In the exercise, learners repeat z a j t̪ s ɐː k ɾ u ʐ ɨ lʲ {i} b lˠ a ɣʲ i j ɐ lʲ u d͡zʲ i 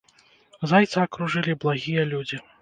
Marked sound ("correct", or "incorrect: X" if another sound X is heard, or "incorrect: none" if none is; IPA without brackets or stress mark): correct